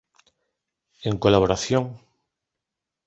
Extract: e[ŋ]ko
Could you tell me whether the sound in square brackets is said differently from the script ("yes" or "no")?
no